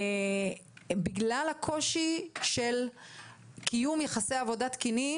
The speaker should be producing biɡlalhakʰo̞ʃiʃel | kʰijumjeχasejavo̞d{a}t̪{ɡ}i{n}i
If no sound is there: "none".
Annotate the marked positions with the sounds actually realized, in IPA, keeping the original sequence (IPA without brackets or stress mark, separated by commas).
a, k, n